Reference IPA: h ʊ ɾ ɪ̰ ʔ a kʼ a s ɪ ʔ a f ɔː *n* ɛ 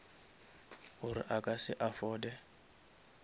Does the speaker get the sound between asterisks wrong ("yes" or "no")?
yes